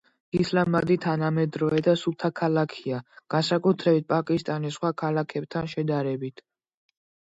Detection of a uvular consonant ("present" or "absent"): present